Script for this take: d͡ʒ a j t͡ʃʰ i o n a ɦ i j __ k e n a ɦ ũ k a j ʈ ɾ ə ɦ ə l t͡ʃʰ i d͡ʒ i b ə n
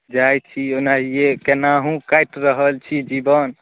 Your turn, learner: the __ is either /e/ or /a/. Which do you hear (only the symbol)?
e